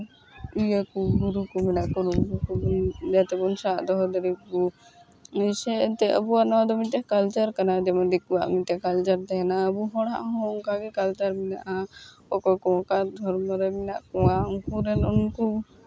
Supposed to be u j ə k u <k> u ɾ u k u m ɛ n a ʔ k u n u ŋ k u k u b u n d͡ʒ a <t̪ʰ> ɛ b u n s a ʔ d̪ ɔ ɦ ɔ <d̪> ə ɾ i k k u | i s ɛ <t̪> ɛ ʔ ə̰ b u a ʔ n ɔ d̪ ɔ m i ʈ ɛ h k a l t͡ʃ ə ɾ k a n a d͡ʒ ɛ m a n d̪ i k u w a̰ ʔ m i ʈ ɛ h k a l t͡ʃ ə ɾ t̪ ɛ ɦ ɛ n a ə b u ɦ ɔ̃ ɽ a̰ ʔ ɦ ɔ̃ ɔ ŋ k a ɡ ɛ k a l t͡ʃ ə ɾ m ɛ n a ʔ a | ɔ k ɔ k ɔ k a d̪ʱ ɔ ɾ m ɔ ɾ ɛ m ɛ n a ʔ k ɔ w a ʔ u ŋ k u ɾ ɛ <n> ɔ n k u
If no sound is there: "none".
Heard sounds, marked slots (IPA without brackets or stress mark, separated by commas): ɡ, t̪, d̪, t̪, n